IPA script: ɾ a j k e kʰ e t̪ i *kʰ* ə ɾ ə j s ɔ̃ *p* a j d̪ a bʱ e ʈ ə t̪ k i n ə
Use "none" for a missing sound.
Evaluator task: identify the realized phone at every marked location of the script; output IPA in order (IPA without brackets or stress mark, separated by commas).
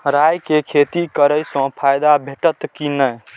k, pʰ